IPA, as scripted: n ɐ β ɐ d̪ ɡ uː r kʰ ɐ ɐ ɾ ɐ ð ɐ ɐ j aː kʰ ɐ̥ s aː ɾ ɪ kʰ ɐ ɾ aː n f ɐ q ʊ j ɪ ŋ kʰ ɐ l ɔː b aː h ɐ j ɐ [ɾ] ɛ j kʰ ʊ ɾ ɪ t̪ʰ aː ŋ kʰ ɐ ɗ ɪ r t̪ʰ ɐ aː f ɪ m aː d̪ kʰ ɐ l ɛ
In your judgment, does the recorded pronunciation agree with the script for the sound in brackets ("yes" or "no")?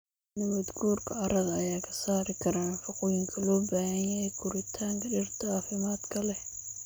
no